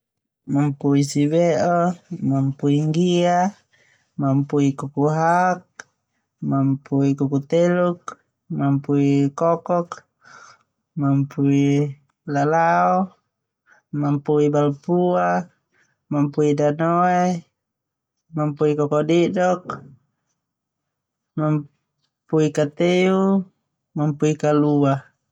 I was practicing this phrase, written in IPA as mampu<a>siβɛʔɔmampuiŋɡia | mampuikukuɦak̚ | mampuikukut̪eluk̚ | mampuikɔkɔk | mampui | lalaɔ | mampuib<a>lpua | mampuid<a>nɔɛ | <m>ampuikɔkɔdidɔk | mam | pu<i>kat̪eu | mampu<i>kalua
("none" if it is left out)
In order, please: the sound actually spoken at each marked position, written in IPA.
i, a, a, m, i, i

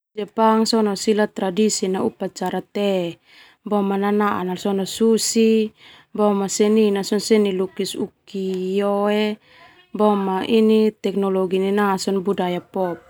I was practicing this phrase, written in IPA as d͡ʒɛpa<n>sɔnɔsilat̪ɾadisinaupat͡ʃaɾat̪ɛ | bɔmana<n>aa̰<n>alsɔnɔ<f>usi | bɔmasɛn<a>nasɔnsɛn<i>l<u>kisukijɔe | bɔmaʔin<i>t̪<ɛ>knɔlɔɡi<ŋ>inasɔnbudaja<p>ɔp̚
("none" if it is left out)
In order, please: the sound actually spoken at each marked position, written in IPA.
ŋ, n, n, s, i, i, u, i, ɛ, n, p

